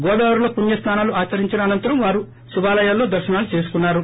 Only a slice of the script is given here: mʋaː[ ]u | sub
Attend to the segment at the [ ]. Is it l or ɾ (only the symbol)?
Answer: ɾ